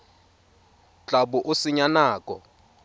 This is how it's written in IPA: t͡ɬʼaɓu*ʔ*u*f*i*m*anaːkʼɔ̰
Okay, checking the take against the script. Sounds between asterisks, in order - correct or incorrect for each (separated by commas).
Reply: correct, incorrect, incorrect